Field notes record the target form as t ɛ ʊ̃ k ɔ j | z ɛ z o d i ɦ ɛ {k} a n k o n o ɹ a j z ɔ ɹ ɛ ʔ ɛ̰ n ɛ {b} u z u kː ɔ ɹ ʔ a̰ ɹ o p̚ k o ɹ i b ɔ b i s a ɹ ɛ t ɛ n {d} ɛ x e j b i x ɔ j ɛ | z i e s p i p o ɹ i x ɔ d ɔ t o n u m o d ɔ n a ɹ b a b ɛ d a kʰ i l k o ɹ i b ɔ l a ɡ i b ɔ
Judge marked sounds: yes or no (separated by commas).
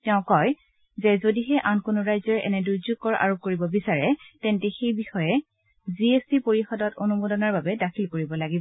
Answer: no, no, no